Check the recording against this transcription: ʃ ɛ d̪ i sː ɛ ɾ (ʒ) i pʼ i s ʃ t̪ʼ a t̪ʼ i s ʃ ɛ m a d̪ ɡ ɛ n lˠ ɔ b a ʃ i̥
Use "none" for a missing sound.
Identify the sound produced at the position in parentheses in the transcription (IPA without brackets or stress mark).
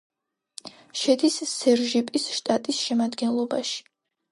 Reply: ʒ